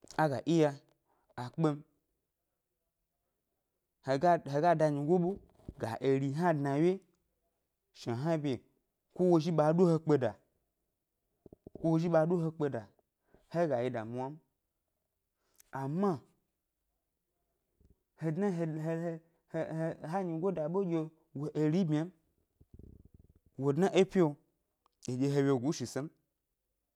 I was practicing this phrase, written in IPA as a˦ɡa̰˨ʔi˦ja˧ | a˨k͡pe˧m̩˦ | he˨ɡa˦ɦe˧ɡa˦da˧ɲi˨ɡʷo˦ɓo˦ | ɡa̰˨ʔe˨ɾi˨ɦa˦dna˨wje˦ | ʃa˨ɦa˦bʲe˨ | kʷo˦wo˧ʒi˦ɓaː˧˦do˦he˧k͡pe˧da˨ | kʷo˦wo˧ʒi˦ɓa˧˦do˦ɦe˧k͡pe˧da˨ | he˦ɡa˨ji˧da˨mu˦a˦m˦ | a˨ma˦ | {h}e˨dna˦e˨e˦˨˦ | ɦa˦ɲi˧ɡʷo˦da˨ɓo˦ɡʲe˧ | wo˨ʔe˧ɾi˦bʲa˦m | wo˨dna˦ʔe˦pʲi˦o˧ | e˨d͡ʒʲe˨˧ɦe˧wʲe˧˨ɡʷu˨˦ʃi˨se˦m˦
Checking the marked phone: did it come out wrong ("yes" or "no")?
no